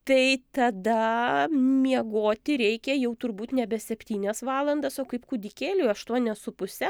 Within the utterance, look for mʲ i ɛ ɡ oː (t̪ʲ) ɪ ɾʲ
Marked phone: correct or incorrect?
correct